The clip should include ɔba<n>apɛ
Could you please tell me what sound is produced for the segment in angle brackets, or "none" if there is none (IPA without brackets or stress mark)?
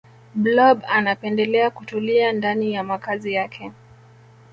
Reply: n